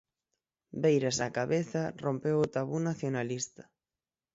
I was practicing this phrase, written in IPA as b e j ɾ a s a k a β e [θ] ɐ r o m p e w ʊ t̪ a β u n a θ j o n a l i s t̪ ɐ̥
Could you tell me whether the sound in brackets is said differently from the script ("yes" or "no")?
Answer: no